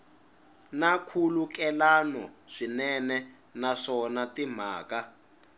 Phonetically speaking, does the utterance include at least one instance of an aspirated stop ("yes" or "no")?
yes